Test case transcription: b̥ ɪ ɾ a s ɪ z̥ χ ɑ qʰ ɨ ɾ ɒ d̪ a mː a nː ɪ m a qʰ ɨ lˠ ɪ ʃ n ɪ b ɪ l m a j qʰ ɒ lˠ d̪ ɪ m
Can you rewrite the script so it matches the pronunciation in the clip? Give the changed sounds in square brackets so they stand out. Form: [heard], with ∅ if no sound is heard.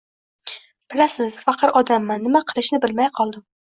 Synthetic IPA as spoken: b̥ ɪ [l] a s ɪ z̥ [f] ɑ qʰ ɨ ɾ ɒ d̪ a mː a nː ɪ m a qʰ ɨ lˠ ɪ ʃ n ɪ b ɪ l m a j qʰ ɒ lˠ d̪ ɪ m